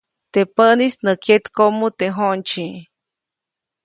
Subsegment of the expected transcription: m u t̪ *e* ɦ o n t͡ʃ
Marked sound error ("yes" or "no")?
no